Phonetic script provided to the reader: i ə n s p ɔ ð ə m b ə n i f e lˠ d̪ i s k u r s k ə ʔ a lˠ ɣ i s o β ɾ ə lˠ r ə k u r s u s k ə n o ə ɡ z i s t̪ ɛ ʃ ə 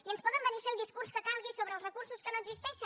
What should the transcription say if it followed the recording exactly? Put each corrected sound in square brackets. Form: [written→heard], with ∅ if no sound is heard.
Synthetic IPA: i ə n s p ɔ ð ə m b ə n i f e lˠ d̪ i s k u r s k ə [ʔ→k] a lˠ ɣ i s o β ɾ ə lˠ r ə k u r s u s k ə n o ə ɡ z i s t̪ ɛ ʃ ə